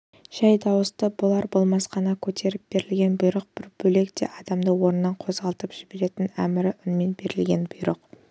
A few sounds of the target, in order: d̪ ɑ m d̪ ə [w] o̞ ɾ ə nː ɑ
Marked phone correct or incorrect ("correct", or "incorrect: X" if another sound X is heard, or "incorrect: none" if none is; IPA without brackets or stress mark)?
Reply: correct